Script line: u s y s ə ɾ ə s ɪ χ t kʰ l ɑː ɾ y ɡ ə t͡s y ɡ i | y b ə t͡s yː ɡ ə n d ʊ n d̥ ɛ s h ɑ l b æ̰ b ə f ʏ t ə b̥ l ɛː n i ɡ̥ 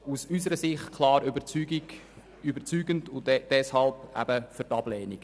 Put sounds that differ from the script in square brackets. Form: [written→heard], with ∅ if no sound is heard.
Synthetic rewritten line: u s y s ə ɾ ə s ɪ χ t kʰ l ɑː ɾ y [ɡ→b] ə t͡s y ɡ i | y b ə t͡s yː ɡ ə n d ʊ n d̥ ɛ s h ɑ l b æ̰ b ə f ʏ t [ə→ɑ] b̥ l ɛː n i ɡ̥